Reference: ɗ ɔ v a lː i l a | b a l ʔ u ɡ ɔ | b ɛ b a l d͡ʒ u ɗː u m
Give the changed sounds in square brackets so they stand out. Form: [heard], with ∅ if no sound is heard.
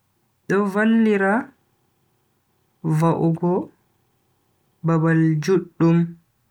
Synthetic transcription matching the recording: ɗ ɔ v a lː i [ɾ] a | [v] a [∅] ʔ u ɡ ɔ | b [a] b a l d͡ʒ u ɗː u m